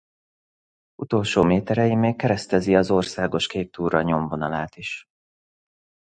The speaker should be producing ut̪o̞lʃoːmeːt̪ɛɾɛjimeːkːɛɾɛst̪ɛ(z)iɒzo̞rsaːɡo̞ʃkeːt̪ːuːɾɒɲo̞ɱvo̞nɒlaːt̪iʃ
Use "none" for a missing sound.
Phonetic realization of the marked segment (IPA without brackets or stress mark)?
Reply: z